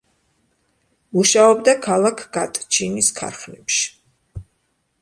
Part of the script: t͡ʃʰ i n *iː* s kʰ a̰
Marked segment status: incorrect: i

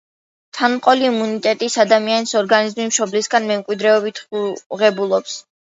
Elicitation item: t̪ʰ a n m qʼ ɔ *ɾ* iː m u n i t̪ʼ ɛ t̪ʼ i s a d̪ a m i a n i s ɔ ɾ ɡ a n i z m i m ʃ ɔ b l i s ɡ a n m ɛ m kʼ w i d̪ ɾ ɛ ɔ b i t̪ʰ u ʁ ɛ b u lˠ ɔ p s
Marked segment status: incorrect: l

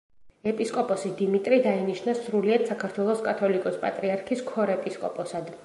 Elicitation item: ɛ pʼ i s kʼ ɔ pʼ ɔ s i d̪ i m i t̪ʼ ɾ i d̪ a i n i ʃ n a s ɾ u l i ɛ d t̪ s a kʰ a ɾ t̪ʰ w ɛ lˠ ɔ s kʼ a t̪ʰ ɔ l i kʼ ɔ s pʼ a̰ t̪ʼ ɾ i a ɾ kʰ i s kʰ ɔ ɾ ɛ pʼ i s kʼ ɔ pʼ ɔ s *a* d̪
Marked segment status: correct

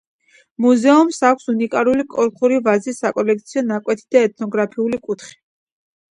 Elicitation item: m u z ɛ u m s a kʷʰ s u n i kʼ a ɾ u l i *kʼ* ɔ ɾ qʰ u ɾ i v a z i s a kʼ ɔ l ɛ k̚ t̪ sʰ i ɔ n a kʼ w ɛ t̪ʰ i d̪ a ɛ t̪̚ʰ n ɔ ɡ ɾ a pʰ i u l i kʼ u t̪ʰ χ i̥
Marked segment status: correct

